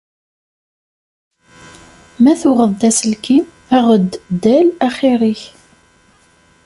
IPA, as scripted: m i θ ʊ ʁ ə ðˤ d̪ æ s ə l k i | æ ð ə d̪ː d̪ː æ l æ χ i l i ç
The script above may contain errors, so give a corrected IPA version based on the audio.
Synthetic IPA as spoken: m æ θ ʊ ʁ ə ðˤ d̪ æ s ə l k i | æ ʁ ə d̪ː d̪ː æ l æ χ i ɾ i ç